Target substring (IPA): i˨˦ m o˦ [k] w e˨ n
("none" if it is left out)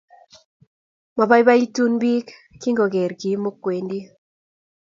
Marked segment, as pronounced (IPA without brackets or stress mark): k